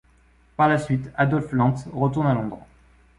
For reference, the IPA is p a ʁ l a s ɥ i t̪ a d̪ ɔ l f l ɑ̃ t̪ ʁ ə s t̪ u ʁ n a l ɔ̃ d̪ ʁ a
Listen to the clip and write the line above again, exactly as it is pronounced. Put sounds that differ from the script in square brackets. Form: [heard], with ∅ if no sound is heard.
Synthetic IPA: p a ʁ l a s ɥ i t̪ a d̪ ɔ l f l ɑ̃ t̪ ʁ ə [∅] t̪ u ʁ n a l ɔ̃ d̪ ʁ a